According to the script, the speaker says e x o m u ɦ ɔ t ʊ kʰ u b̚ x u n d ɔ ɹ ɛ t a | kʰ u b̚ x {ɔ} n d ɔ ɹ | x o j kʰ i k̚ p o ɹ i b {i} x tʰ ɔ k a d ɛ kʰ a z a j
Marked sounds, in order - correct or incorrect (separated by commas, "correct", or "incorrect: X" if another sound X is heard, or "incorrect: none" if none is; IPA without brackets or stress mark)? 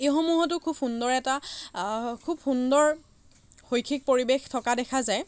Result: incorrect: u, incorrect: e